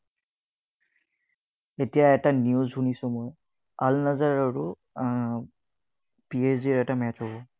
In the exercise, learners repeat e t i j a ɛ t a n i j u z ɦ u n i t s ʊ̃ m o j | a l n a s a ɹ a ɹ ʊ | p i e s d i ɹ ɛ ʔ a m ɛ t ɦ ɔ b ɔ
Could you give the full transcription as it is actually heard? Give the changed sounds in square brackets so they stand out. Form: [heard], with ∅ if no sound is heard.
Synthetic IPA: e t i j a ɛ t a n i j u z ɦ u n i [∅] s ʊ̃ m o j | a l n a [z] a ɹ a ɹ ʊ | p i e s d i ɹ ɛ [t] a m ɛ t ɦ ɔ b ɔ